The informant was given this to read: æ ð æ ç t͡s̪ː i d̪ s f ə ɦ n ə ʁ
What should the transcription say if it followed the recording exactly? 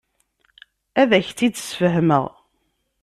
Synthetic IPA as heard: æ ð æ ç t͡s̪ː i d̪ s f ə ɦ m ə ʁ